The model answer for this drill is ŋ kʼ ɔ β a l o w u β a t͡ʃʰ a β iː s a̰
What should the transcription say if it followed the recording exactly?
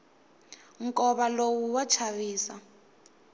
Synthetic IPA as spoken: ŋ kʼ ɔ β a l o w u w a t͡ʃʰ a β iː s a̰